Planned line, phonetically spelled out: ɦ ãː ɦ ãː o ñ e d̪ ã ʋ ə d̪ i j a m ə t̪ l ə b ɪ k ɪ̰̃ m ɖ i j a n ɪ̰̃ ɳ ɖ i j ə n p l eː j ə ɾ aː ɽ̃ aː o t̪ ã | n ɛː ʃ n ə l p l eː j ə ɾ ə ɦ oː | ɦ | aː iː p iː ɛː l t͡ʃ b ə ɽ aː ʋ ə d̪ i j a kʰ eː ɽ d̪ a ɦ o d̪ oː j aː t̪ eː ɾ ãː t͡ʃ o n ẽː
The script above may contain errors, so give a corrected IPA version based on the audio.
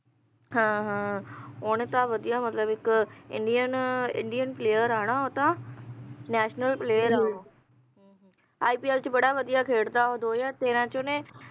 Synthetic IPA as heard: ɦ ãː ɦ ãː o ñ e t̪ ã ʋ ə d̪ i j a m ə t̪ l ə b ɪ k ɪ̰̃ ɳ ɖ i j ə n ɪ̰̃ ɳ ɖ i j ə n p l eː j ə ɾ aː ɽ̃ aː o t̪ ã | n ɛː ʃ n ə l p l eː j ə ɾ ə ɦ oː | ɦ | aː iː p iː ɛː l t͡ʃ b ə ɽ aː ʋ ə d̪ i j a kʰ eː ɽ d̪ a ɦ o d̪ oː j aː t̪ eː ɾ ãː t͡ʃ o n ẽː